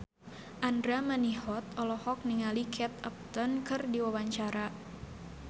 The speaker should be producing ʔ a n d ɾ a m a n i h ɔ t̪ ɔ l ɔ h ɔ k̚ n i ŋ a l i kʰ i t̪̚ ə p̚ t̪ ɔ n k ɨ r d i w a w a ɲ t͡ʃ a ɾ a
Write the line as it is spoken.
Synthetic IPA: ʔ a n d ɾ a m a n i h ɔ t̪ ɔ l ɔ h ɔ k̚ n i ŋ a l i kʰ ɛ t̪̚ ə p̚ t̪ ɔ n k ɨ r d i w a w a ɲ t͡ʃ a ɾ a